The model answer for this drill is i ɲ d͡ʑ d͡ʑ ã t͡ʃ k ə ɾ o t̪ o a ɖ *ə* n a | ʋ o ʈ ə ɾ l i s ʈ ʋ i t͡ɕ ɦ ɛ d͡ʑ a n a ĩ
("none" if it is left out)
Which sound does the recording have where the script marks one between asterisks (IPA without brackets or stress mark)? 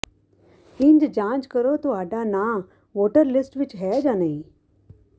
a